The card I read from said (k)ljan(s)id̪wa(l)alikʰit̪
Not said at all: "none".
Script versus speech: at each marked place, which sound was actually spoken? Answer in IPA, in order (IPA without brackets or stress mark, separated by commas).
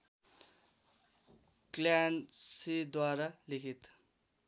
k, s, ɾ